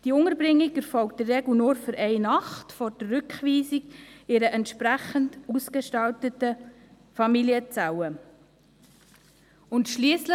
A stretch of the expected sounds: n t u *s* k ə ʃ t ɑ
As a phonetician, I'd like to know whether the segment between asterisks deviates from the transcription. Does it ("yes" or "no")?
no